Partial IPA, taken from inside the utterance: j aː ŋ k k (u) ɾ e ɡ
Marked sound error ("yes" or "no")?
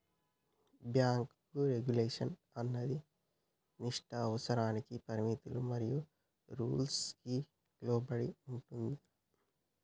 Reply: no